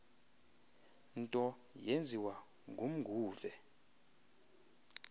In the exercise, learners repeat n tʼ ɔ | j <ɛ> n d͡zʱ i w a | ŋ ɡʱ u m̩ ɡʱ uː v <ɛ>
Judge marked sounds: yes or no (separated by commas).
no, yes